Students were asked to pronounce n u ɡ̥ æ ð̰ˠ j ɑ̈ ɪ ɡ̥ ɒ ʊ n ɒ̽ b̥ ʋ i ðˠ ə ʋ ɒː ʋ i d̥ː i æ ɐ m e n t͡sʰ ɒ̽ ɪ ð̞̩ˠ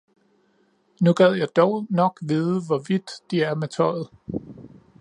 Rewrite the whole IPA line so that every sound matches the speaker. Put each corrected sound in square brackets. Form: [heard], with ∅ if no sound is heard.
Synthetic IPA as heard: n u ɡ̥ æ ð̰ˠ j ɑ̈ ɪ [d̥] ɒ ʊ n ɒ̽ [ɡ̥] ʋ i ðˠ ə ʋ [ɒ] ʋ i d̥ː i æ ɐ m e [∅] t͡sʰ ɒ̽ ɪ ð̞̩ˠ